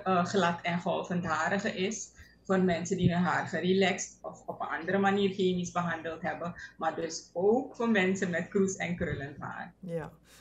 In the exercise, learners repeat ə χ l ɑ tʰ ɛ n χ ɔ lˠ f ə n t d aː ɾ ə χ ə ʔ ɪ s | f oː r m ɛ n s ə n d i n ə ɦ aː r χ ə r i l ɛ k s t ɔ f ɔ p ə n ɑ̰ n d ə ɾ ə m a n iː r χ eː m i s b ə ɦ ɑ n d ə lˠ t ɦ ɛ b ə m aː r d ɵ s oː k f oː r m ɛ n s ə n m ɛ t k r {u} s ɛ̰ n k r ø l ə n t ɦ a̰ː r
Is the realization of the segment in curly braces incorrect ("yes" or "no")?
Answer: no